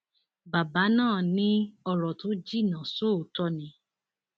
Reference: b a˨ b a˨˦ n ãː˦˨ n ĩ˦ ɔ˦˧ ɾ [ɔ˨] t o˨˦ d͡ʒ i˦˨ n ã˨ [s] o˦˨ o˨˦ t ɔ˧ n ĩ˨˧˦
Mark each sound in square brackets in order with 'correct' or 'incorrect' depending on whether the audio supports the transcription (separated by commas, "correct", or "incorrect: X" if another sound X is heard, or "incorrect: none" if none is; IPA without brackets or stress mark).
correct, correct